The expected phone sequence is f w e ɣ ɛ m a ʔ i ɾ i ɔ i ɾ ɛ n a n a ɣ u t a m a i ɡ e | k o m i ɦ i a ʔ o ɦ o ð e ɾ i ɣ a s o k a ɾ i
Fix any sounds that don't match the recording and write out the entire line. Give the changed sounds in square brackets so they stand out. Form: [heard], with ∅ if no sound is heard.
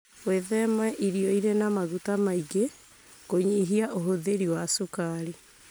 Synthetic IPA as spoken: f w e [ð] ɛ m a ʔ i ɾ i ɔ i ɾ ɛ n a [m] a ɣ u t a m a i ɡ e | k o [ɲ] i ɦ i a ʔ o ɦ o ð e ɾ i [w] a s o k a ɾ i